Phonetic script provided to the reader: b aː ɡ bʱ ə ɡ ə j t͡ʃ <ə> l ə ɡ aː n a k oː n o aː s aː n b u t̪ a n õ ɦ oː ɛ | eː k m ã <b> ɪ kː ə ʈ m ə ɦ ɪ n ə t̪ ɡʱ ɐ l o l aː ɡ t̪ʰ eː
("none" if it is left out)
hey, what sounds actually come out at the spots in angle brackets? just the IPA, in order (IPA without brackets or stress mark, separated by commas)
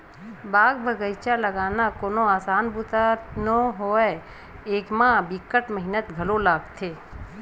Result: a, b